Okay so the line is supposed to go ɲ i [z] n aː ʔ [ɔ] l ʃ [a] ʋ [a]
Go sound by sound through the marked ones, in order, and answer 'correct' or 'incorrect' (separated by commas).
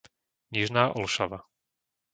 incorrect, correct, correct, correct